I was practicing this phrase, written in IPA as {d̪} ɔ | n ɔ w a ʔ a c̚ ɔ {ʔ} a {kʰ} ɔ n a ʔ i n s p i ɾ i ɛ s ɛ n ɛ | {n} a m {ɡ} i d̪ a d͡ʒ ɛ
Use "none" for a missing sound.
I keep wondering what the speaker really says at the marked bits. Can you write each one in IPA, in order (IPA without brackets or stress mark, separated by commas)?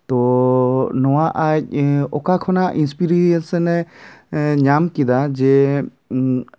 t̪, k, kʰ, ɲ, k